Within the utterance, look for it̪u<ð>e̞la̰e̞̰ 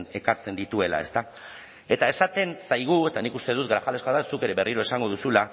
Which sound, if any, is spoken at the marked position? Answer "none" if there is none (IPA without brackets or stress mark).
none